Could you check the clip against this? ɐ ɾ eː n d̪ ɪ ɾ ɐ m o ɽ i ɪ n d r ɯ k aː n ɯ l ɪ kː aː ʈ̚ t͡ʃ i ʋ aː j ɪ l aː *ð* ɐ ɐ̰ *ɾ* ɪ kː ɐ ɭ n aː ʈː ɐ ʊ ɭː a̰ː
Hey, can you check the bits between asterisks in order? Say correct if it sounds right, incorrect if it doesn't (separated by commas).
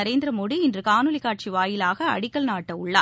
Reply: incorrect, incorrect